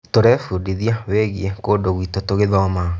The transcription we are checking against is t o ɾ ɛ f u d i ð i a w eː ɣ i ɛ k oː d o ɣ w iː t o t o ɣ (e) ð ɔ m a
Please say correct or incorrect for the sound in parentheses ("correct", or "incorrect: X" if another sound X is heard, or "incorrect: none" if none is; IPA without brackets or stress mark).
correct